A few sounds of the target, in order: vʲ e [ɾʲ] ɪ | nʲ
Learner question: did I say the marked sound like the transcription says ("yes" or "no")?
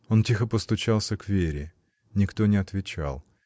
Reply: yes